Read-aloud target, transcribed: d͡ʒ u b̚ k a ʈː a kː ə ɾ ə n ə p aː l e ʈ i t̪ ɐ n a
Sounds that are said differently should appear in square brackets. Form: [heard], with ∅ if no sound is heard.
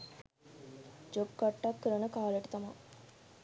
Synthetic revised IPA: d͡ʒ [o] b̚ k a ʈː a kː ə ɾ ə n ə [k] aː l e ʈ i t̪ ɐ [m] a